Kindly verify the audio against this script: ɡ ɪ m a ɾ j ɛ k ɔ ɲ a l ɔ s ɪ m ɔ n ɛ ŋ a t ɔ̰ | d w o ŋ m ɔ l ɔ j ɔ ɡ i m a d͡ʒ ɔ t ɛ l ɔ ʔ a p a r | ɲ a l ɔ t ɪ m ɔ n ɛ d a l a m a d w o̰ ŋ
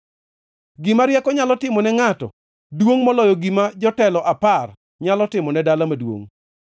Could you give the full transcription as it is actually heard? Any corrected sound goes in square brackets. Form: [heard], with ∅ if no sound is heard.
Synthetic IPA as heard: ɡ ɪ m a ɾ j ɛ k ɔ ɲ a l ɔ [t] ɪ m ɔ n ɛ ŋ a t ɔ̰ | d w o ŋ m ɔ l ɔ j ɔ ɡ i m a d͡ʒ ɔ t ɛ l ɔ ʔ a p a r | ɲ a l ɔ t ɪ m ɔ n ɛ d a l a m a d w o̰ ŋ

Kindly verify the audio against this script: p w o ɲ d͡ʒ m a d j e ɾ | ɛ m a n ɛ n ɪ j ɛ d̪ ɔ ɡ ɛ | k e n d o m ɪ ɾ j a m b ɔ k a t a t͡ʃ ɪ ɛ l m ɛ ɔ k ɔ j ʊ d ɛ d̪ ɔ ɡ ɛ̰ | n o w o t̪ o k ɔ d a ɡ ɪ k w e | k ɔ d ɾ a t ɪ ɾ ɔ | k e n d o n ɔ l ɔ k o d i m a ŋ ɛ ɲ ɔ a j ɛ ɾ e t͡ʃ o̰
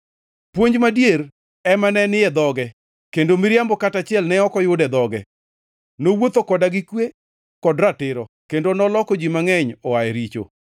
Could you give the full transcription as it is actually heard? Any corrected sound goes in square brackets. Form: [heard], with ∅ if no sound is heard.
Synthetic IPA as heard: p w o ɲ d͡ʒ m a d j e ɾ | ɛ m a n ɛ n ɪ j ɛ d̪ ɔ ɡ ɛ | k e n d o m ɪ ɾ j a m b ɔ k a t a t͡ʃ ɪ ɛ l [n] ɛ ɔ k ɔ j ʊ d ɛ d̪ ɔ ɡ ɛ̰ | n o w o t̪ o k ɔ d a ɡ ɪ k w e | k ɔ d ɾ a t ɪ ɾ ɔ | k e n d o n ɔ l ɔ k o [d͡ʒ] i m a ŋ ɛ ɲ ɔ a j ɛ ɾ [i] t͡ʃ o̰

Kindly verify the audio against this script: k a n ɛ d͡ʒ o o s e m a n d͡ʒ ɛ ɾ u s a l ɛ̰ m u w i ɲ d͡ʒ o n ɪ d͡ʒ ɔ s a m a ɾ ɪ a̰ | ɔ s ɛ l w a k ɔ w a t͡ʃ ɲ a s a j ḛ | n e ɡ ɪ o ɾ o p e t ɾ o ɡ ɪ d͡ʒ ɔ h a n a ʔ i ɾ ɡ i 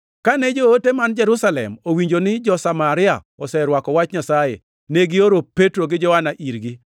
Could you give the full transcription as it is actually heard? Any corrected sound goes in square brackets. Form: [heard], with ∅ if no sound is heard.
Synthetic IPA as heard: k a n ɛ d͡ʒ o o [t] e m a n d͡ʒ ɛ ɾ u s a l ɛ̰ m [o] w i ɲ d͡ʒ o n ɪ d͡ʒ ɔ s a m a ɾ ɪ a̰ | ɔ s ɛ [ɾ] w a k ɔ w a t͡ʃ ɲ a s a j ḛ | n e ɡ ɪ o ɾ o p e t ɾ o ɡ ɪ d͡ʒ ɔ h a n a ʔ i ɾ ɡ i

